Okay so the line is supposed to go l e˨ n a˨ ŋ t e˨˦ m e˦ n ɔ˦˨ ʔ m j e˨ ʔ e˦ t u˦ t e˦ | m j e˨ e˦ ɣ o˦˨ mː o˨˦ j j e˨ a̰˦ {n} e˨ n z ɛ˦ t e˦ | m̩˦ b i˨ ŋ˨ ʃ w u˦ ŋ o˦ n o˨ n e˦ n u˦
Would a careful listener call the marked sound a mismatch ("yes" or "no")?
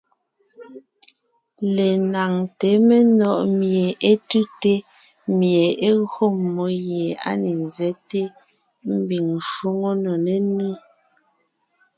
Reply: no